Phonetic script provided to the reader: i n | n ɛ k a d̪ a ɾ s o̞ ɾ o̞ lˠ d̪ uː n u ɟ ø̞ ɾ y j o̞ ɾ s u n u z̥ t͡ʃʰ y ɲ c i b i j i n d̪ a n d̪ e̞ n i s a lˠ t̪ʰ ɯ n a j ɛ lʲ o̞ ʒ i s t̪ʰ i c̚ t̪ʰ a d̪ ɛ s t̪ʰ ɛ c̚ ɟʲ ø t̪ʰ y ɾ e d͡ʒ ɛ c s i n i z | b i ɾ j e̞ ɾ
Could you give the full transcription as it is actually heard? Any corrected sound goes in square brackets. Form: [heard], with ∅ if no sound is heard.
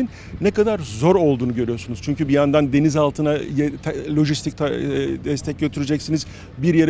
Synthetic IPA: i n | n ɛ k a d̪ a ɾ [z] o̞ ɾ o̞ lˠ d̪ uː n u ɟ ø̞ ɾ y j o̞ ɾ s u n u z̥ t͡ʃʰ y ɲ c [y] b i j [a] n d̪ a n d̪ e̞ n i [z] a lˠ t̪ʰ ɯ n a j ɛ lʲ o̞ ʒ i s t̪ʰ i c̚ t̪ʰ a d̪ ɛ s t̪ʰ ɛ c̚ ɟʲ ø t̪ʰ y ɾ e d͡ʒ ɛ c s i n i z | b i ɾ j e̞ ɾ